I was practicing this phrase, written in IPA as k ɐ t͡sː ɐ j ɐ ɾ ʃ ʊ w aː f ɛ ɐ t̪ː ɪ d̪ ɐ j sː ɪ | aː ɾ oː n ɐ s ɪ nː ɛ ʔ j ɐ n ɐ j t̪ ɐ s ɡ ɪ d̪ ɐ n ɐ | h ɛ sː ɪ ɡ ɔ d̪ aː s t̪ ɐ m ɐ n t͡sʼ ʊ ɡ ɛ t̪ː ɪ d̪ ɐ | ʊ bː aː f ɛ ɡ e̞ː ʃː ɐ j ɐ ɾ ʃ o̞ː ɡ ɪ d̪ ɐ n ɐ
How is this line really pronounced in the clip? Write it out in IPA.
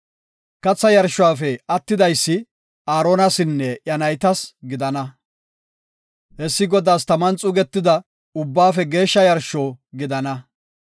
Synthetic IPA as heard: k ɐ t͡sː ɐ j ɐ ɾ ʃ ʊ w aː f ɛ ɐ t̪ː ɪ d̪ ɐ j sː ɪ | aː ɾ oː n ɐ s ɪ nː ɛ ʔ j ɐ n ɐ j t̪ ɐ s ɡ ɪ d̪ ɐ n ɐ | h ɛ sː ɪ ɡ ɔ d̪ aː s t̪ ɐ m ɐ n t͡sʼ ʊ ɡ ɛ t̪ː ɪ d̪ ɐ | ʊ bː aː f ɛ ɡ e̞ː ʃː ɐ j ɐ ɾ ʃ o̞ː ɡ ɪ d̪ ɐ n ɐ

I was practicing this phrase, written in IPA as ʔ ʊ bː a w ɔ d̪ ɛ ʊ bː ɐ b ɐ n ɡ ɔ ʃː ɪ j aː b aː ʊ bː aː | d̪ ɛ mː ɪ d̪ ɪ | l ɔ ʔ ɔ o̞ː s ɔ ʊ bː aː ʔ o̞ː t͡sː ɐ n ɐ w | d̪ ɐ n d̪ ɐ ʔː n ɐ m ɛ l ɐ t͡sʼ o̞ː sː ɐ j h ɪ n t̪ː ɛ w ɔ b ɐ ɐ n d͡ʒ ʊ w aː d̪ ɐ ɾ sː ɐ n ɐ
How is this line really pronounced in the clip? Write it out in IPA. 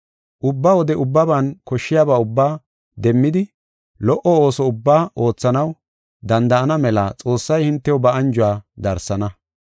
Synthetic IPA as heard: ʔ ʊ bː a w ɔ d̪ ɛ ʊ bː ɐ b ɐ n k ɔ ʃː ɪ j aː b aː ʊ bː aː | d̪ ɛ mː ɪ d̪ ɪ | l ɔ ʔ ɔ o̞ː s ɔ ʊ bː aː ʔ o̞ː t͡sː ɐ n ɐ w | d̪ ɐ n d̪ ɐ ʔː n ɐ m ɛ l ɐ t͡sʼ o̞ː sː ɐ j h ɪ n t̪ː ɛ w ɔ b ɐ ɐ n d͡ʒ ʊ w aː d̪ ɐ ɾ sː ɐ n ɐ

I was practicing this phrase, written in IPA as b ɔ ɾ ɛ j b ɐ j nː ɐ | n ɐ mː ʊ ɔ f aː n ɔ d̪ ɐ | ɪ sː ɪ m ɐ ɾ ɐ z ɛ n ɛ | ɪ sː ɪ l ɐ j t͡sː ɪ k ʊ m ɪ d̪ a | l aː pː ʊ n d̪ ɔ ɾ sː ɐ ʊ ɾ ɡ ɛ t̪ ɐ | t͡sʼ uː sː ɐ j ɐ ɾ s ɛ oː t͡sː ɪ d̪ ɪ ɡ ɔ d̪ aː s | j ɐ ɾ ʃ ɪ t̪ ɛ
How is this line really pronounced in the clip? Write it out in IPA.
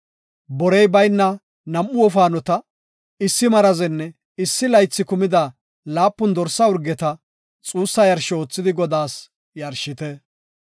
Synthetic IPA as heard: b ɔ ɾ ɛ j b ɐ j nː ɐ | n ɐ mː ʊ ɔ f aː n ɔ t̪ ɐ | ɪ sː ɪ m ɐ ɾ ɐ z ɛ nː ɛ | ɪ sː ɪ l ɐ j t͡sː ɪ k ʊ m ɪ d̪ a | l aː pː ʊ n d̪ ɔ ɾ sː ɐ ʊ ɾ ɡ ɛ t̪ ɐ | t͡sʼ uː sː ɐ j ɐ ɾ ʃ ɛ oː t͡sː ɪ d̪ ɪ ɡ ɔ d̪ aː s | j ɐ ɾ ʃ ɪ t̪ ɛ

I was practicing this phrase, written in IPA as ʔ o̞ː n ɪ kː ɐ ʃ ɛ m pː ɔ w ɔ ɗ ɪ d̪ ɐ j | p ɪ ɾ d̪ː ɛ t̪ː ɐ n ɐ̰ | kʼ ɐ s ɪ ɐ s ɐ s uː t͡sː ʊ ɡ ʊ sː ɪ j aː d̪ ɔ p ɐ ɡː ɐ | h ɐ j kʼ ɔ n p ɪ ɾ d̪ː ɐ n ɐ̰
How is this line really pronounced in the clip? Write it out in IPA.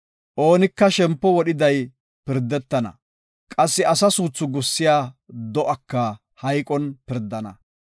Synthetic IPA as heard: ʔ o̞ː n ɪ kː ɐ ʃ ɛ m pː ɔ w ɔ ɗ ɪ d̪ ɐ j | p ɪ ɾ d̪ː ɛ t̪ː ɐ n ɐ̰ | kʼ ɐ sː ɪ ɐ s ɐ s uː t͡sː ʊ ɡ ʊ sː ɪ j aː d̪ ɔ ʔ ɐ kː ɐ | h ɐ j kʼ ɔ n p ɪ ɾ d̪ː ɐ n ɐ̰

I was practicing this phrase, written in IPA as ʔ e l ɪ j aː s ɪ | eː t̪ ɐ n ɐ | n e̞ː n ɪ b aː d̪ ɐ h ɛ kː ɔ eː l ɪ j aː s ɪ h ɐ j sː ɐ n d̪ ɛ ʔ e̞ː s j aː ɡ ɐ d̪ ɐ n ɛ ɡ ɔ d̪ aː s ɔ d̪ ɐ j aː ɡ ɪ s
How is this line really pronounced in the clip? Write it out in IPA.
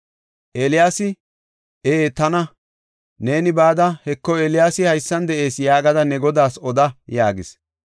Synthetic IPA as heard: ʔ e l ɪ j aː s ɪ | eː t̪ ɐ n ɐ | n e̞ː n ɪ b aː d̪ ɐ h ɛ kː ɔ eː l ɪ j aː s ɪ h ɐ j sː ɐ n d̪ ɛ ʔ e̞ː s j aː ɡ ɐ d̪ ɐ n ɛ ɡ ɔ d̪ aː s ɔ d̪ ɐ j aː ɡ ɪ s

